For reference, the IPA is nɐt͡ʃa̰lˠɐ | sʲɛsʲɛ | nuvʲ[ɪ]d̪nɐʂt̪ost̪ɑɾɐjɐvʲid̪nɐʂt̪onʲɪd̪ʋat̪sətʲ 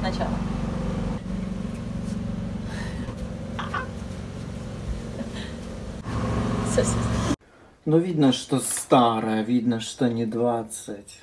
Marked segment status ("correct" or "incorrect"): incorrect